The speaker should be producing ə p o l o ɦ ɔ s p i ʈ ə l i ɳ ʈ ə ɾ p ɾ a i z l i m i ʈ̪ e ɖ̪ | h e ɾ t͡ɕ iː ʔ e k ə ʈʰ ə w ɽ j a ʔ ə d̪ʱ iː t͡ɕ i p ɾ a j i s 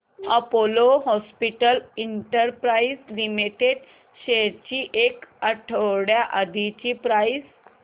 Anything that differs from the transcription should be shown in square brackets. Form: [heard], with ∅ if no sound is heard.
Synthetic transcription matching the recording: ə p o l o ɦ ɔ s p i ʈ ə l i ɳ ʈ ə ɾ p ɾ a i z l i m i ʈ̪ e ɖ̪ | [ɕ] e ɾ t͡ɕ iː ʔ e k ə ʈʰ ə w ɽ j a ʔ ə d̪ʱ [i] t͡ɕ i p ɾ a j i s